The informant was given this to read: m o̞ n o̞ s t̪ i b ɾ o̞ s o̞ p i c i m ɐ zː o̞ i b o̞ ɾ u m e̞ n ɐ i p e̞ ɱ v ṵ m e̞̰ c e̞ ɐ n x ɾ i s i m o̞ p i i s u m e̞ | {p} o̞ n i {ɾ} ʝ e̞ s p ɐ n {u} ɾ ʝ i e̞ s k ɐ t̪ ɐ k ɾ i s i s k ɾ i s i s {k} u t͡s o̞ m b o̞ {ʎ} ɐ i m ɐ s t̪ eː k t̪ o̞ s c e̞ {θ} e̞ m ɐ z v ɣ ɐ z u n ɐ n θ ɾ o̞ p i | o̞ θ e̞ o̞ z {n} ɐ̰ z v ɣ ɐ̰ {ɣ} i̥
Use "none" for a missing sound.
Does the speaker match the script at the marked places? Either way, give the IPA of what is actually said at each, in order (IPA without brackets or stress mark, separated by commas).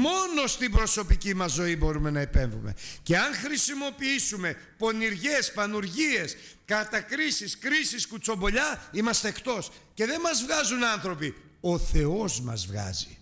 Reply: p, ɾ, u, k, ʎ, ð, m, z